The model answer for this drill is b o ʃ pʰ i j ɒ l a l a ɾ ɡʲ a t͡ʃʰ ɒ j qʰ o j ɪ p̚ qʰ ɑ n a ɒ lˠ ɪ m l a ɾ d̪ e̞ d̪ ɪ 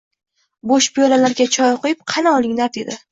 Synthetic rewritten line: b o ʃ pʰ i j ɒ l a l a ɾ ɡʲ a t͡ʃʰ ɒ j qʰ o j ɪ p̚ qʰ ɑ n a ɒ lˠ ɪ ŋ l a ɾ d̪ e̞ d̪ ɪ